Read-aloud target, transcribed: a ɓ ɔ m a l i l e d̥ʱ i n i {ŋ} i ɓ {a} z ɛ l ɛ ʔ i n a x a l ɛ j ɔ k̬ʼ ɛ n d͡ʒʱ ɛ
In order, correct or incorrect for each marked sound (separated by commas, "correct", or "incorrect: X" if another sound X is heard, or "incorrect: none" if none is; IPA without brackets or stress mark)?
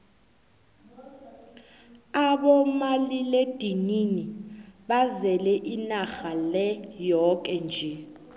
incorrect: n, correct